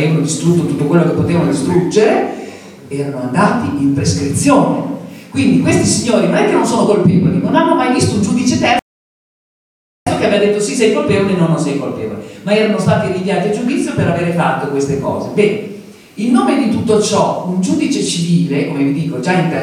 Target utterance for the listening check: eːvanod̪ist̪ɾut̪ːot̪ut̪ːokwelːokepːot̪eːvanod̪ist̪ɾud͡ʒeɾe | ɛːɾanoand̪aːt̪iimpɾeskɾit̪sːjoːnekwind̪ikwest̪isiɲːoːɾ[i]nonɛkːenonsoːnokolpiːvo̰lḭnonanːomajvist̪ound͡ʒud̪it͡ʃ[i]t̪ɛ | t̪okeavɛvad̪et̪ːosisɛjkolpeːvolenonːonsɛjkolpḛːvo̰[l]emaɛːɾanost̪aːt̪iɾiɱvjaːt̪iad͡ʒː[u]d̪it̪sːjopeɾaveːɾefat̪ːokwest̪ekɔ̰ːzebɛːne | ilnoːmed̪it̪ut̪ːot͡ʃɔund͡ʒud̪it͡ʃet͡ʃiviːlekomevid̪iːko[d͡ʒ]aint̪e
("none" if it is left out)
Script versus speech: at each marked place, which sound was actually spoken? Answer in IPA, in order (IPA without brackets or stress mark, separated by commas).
i, e, l, u, d͡ʒ